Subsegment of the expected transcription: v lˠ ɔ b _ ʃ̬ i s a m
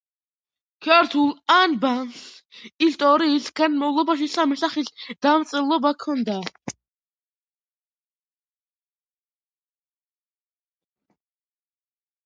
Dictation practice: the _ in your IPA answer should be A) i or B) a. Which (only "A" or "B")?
B